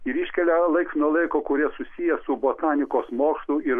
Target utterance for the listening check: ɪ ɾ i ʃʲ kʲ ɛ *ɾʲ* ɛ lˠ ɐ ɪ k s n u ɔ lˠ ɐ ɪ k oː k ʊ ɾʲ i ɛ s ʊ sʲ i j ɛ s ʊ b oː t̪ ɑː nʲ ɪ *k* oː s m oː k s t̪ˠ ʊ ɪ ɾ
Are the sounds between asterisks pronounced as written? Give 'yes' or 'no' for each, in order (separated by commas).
no, yes